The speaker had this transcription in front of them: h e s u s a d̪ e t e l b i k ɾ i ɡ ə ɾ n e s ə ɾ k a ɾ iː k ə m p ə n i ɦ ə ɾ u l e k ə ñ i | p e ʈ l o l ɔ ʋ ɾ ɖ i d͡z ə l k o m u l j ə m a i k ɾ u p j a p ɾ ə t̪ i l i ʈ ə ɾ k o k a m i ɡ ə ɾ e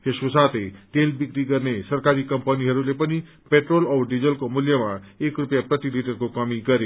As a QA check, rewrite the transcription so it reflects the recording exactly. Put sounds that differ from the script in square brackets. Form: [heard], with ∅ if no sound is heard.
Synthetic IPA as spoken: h e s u s a [t̪] e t e l b i k ɾ i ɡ ə ɾ n e s ə ɾ k a ɾ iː k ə m p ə n i ɦ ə ɾ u l e [p] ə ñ i | p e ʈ [ɾ] o l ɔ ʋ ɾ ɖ i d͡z ə l k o m u l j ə m a [e] k ɾ u p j a p ɾ ə t̪ i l i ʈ ə ɾ k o k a m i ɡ ə ɾ e

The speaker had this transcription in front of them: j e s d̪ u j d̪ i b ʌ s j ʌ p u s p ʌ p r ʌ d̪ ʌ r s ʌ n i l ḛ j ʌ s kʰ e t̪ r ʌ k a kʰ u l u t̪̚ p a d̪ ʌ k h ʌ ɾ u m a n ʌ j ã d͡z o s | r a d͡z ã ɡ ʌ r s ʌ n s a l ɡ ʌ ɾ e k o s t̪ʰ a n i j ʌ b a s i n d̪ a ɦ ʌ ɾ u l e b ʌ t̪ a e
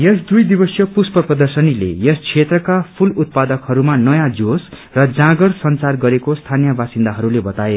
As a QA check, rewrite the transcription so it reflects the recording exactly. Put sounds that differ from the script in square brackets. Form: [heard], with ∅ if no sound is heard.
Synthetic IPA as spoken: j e s d̪ u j d̪ i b ʌ s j ʌ p u s p ʌ p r ʌ d̪ ʌ r s ʌ n i l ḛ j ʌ s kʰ e t̪ r ʌ k a [pʰ] u l u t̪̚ p a d̪ ʌ k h ʌ ɾ u m a n ʌ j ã d͡z o s | r [ʌ] d͡z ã ɡ ʌ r s ʌ n [t͡s] a [r] ɡ ʌ ɾ e k o s t̪ʰ a n i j ʌ b a s i n d̪ a ɦ ʌ ɾ u l e b ʌ t̪ a e

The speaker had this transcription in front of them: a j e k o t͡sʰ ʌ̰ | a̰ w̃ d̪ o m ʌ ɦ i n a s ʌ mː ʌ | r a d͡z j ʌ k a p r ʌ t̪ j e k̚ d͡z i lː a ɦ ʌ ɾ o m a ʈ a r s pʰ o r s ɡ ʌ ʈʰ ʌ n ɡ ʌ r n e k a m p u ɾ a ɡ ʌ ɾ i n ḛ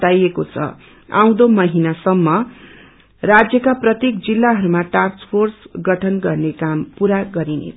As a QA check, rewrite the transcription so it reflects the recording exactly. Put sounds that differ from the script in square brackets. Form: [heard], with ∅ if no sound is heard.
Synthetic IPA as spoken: a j e k o t͡sʰ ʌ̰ | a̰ w̃ d̪ o m ʌ ɦ i n a s ʌ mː ʌ | r a d͡z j ʌ k a p r ʌ t̪ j e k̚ d͡z i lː a ɦ ʌ ɾ [u] m a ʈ a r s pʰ o r s ɡ ʌ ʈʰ ʌ n ɡ ʌ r n e k a m p u ɾ a ɡ ʌ ɾ i n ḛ

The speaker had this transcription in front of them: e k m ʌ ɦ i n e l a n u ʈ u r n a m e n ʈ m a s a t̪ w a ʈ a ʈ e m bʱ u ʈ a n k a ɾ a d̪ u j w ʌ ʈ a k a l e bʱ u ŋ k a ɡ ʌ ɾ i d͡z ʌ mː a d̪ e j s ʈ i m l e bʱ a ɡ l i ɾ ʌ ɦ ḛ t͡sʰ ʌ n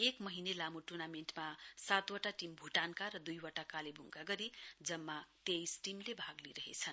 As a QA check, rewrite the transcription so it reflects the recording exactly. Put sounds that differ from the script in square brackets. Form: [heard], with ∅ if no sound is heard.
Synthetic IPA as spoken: e k m ʌ ɦ i n e l a [m] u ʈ u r n a m e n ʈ m a s a t̪ w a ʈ a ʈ [i] m bʱ u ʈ a n k a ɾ [ʌ] d̪ u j w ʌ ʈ a k a l e bʱ u ŋ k a ɡ ʌ ɾ i d͡z ʌ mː a [t̪] e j s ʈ i m l e bʱ a ɡ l i ɾ ʌ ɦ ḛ t͡sʰ ʌ n

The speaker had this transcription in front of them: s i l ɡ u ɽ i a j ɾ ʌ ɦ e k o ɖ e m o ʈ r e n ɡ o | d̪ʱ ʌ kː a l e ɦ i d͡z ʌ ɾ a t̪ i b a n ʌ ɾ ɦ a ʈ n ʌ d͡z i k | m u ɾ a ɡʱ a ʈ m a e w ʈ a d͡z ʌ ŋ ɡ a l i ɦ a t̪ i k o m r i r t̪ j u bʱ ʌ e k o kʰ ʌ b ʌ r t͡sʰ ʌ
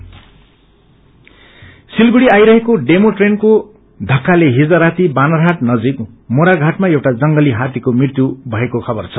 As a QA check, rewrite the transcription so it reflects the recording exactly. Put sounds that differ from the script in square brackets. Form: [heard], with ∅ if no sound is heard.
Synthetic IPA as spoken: s i l ɡ u ɽ i a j ɾ ʌ ɦ e k o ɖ e m o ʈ r e n [k] o | d̪ʱ ʌ kː a l e ɦ i d͡z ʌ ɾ a t̪ i b a n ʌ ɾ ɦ a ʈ n ʌ d͡z i k | m [o] ɾ a ɡʱ a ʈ m a e w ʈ a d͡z ʌ ŋ ɡ [ʌ] l i ɦ a t̪ i k o m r i r t̪ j u bʱ ʌ e k o kʰ ʌ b ʌ r t͡sʰ ʌ

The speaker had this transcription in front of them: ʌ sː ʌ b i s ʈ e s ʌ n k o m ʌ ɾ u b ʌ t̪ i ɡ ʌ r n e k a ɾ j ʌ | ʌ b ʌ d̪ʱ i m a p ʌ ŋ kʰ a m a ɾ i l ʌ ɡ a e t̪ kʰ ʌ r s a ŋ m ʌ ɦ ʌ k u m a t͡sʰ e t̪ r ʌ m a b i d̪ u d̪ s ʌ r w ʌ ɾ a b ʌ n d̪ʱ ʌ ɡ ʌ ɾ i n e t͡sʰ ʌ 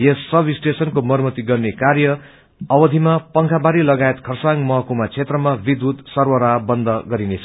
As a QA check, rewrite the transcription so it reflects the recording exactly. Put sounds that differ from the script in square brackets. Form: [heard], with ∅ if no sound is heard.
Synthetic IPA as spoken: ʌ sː ʌ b i s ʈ e s ʌ n k o m ʌ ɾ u [m] ʌ t̪ i ɡ ʌ r n e k a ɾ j ʌ | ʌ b ʌ d̪ʱ i m a p ʌ ŋ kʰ a [b] a ɾ i l ʌ ɡ a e t̪ kʰ ʌ r s a ŋ m ʌ ɦ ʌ k u m a t͡sʰ e t̪ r ʌ m a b i d̪ u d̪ s ʌ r w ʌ ɾ a b ʌ n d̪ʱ ʌ ɡ ʌ ɾ i n e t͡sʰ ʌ

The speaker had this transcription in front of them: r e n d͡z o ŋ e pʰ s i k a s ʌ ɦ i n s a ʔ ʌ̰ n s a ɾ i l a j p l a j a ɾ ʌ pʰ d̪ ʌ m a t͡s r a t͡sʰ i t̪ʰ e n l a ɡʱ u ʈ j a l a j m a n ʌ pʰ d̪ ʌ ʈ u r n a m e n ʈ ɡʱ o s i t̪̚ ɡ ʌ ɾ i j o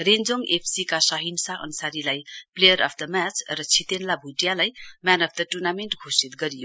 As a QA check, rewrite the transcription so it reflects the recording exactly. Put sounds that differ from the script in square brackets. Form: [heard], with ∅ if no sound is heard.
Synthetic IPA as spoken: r e n d͡z o ŋ e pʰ s i k a s ʌ ɦ i n s a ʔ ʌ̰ n s a ɾ i l a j p l [e] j [ʌ] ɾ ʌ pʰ d̪ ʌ m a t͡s r [ʌ] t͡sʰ i [t̪] e n l a [bʱ] u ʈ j a l a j m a n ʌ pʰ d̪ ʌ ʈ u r n a m e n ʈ ɡʱ o s i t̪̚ ɡ ʌ ɾ i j o

